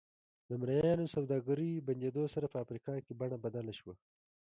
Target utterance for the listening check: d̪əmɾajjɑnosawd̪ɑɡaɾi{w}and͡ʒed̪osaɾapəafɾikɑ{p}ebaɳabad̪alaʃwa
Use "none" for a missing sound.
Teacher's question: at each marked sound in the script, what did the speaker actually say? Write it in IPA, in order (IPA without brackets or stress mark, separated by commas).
b, k